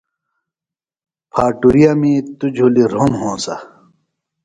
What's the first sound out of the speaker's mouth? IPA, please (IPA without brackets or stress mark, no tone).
pʰ